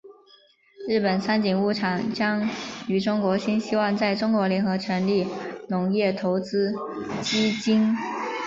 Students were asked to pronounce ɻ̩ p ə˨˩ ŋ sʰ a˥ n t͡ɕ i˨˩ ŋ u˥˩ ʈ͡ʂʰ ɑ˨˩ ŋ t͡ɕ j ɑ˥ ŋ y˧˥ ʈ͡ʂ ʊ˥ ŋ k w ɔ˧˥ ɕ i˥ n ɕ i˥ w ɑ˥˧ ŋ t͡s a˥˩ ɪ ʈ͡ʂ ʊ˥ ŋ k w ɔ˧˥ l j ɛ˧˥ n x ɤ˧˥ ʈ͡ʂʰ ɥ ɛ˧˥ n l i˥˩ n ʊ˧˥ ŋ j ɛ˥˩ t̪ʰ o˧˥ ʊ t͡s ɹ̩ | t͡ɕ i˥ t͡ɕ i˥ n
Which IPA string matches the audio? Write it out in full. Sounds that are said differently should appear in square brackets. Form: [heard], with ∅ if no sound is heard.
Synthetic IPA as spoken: ɻ̩ p ə˨˩ [n] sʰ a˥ n t͡ɕ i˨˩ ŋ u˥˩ ʈ͡ʂʰ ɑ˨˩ ŋ t͡ɕ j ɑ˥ ŋ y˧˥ ʈ͡ʂ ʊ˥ ŋ k w ɔ˧˥ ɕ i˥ n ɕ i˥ w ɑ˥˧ ŋ t͡s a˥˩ ɪ ʈ͡ʂ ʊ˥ ŋ k w ɔ˧˥ l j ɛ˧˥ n x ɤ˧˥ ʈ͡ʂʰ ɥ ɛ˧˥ n l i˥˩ n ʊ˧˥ ŋ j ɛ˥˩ t̪ʰ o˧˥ ʊ t͡s ɹ̩ | t͡ɕ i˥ t͡ɕ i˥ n